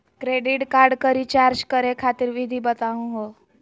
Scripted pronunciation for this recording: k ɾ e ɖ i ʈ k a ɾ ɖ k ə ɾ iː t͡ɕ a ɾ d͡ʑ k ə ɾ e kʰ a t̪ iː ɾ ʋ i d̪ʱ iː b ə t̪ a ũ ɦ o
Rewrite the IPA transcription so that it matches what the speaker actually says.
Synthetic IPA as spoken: k ɾ e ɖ i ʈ k a ɾ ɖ k ə ɾ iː t͡ɕ a ɾ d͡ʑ k ə ɾ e kʰ a t̪ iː ɾ ʋ i d̪ʱ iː b ə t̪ a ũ ɦ o